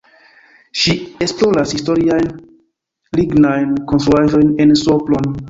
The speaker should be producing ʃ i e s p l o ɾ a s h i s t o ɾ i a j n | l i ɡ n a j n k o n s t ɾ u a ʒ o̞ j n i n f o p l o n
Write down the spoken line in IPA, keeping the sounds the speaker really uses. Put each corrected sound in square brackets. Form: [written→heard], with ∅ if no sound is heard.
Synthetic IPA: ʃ i e s p l o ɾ a s h i s t o ɾ i a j n | l i ɡ n a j n k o n s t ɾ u a ʒ o̞ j n [i→e] n [f→s] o p l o n